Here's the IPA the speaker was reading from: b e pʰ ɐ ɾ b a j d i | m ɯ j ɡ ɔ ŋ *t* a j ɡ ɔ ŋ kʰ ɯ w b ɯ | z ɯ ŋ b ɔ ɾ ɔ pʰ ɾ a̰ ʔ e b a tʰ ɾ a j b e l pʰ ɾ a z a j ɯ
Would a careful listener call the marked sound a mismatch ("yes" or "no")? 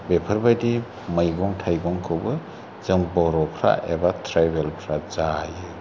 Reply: yes